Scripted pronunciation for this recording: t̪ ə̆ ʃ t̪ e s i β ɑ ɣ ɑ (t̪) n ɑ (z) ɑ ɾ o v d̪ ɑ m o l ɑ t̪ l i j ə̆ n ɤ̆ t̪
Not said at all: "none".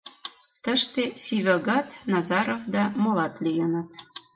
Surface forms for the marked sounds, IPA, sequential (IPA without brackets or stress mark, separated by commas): t̪, z